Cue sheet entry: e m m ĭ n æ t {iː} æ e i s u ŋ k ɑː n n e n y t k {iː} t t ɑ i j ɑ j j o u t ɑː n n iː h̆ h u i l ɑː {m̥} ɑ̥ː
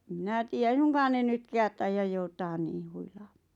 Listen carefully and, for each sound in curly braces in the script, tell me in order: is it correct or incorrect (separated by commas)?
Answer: correct, incorrect, correct